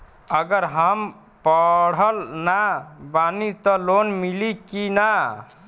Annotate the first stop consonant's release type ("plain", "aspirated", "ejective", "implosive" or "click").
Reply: plain